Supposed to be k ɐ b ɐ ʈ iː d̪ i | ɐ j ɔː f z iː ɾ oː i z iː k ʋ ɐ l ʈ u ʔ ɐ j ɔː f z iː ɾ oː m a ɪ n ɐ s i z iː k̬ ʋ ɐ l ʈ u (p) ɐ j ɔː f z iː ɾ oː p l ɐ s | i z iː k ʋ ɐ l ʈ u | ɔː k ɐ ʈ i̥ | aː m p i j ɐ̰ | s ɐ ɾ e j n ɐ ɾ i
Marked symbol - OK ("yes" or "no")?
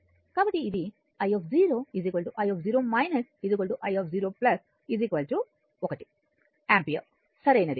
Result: no